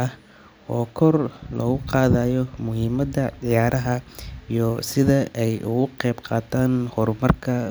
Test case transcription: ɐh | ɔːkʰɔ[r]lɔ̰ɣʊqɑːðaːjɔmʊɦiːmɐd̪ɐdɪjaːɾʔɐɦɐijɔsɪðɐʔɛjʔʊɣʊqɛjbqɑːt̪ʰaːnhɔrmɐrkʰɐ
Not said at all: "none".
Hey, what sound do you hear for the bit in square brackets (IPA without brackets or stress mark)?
r